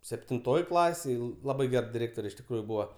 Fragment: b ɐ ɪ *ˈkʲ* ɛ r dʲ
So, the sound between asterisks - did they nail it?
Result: no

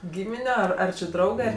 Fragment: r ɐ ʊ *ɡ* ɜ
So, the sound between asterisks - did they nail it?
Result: yes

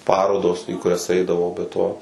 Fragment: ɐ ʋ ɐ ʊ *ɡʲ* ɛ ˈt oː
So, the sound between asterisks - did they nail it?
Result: no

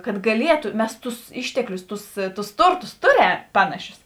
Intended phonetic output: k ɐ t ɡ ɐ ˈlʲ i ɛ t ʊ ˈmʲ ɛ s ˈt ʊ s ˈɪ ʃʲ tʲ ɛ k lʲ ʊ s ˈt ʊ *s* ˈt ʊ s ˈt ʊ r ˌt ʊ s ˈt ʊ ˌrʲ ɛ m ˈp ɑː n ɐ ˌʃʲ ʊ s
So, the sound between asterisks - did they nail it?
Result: yes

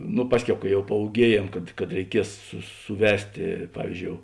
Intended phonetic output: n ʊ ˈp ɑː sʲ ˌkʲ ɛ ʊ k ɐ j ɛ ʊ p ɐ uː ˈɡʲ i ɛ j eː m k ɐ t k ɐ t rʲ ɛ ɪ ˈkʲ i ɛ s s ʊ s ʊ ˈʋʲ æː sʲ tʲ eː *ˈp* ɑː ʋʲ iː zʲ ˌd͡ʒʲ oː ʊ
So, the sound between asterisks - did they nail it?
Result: yes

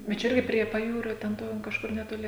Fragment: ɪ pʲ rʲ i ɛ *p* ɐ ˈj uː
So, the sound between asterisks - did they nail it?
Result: yes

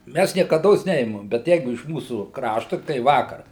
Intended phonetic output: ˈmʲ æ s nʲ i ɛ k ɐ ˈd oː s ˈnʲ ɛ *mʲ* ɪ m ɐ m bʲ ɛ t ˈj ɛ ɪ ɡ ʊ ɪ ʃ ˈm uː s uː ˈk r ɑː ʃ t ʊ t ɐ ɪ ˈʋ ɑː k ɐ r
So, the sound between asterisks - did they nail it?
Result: no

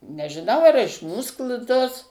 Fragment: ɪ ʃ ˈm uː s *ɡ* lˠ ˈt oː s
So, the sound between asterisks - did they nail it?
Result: no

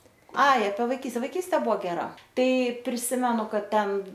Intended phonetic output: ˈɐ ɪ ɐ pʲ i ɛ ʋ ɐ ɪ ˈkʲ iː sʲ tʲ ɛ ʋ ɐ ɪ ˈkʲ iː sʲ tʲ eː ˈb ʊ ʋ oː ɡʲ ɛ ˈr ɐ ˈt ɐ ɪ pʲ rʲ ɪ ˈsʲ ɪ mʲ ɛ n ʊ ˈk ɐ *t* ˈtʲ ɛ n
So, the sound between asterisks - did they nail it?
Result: yes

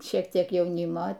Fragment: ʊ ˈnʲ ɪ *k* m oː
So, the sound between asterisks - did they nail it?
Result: no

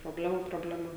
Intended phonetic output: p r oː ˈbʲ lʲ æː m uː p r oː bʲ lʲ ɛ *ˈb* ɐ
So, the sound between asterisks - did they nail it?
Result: no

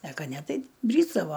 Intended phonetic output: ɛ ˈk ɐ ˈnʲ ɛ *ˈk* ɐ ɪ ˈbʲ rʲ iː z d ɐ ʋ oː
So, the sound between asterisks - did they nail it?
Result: no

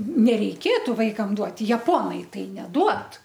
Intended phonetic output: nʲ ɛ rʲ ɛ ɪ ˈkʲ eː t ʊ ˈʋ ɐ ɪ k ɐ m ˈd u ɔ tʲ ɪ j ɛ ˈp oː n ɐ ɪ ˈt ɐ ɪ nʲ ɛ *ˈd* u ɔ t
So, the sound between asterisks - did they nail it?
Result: yes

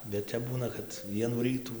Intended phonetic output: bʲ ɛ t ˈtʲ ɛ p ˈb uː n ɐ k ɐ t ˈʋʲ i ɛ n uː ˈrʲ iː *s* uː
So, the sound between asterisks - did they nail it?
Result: no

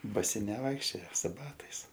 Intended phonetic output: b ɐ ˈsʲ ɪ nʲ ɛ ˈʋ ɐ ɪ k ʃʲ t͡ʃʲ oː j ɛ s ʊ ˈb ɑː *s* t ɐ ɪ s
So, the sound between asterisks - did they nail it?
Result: no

